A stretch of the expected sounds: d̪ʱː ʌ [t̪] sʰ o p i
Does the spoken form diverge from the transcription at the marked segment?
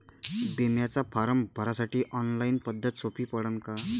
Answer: no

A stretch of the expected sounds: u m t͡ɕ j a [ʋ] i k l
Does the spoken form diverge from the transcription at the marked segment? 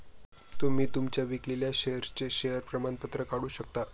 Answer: no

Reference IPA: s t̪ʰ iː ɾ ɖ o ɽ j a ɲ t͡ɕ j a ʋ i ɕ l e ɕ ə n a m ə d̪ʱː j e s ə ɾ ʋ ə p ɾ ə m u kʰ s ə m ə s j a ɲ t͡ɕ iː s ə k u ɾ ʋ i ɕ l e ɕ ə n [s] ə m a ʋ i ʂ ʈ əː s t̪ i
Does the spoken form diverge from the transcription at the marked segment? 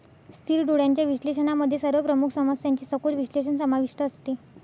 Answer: no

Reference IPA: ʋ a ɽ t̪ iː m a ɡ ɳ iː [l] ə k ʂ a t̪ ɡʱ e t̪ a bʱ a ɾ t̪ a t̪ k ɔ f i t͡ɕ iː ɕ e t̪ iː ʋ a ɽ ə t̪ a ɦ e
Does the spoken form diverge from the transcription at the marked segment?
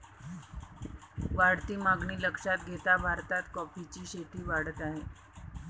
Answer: no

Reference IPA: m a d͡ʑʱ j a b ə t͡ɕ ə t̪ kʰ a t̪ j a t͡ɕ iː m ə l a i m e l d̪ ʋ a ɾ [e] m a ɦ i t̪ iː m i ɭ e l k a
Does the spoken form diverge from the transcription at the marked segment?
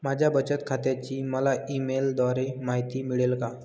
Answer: no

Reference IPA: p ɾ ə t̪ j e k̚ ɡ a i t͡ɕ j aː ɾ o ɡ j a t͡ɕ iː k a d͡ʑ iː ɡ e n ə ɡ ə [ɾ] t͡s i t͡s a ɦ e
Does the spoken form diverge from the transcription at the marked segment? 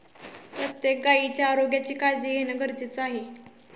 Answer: no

